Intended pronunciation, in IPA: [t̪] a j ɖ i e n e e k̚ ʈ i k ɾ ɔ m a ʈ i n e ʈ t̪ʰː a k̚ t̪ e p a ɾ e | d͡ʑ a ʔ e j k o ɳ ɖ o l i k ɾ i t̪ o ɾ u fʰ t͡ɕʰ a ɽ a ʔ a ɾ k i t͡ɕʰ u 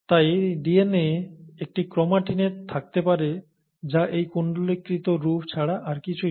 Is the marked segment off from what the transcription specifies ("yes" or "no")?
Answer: no